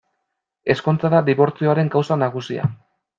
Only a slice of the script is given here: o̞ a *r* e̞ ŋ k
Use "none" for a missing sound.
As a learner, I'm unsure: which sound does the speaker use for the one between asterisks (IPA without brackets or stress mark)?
ɾ